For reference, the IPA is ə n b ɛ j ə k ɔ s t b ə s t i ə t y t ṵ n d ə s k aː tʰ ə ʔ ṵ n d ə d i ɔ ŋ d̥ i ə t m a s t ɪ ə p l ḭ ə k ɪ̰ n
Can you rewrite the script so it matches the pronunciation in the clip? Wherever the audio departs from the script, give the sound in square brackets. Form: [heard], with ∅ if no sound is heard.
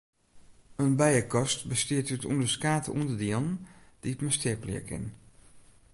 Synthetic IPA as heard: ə n b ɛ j ə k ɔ s t b ə s t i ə t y t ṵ n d ə s k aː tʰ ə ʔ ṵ n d ə d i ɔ [n] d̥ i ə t m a s t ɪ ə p l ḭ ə k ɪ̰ n